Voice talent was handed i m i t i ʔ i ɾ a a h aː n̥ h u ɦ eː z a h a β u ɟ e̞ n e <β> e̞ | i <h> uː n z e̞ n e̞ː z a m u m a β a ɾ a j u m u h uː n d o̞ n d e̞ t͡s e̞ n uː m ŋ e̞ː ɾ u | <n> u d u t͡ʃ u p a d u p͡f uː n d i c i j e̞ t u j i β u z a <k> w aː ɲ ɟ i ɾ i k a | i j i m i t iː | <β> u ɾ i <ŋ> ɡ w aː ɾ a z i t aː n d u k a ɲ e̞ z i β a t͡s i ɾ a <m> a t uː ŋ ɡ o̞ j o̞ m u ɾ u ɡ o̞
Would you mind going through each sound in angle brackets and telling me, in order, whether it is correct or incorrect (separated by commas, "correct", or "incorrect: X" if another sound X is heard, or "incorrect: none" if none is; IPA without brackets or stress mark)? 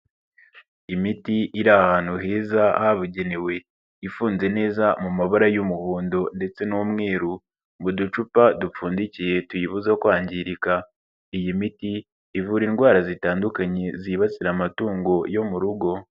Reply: incorrect: w, incorrect: f, incorrect: m, correct, incorrect: v, incorrect: n, correct